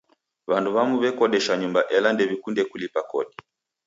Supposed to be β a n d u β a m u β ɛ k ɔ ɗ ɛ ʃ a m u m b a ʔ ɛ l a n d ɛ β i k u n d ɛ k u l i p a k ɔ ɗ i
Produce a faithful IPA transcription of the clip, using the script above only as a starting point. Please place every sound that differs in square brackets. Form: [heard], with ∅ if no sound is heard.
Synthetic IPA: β a n d u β a m u β ɛ k ɔ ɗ ɛ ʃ a [ɲ] u m b a ʔ ɛ l a n d ɛ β i k u n d ɛ k u l i p a k ɔ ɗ i